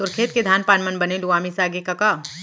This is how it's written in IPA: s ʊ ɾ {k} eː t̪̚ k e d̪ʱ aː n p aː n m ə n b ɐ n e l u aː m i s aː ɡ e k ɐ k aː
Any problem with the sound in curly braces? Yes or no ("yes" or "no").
yes